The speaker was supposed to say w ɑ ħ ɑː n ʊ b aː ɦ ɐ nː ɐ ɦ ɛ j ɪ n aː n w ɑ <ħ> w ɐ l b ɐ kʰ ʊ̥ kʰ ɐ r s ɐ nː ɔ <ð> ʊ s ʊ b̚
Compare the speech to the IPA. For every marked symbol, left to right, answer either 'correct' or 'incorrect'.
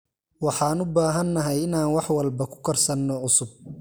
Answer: correct, incorrect: ʕ

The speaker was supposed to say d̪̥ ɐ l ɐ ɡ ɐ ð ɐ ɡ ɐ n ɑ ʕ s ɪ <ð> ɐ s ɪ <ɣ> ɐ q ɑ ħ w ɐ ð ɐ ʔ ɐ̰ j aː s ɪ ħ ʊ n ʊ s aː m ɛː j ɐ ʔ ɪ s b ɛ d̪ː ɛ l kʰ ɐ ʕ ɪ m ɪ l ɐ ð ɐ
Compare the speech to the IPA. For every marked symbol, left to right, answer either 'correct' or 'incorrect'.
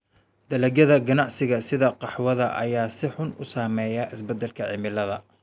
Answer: incorrect: ɣ, incorrect: ð

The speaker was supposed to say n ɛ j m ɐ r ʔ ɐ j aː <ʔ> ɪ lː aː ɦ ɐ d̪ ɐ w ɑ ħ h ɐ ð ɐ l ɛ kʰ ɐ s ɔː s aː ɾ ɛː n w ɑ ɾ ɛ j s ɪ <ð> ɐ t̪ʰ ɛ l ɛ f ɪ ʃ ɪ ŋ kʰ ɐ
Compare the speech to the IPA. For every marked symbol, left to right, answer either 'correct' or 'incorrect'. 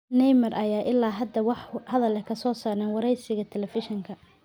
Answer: correct, incorrect: ɣ

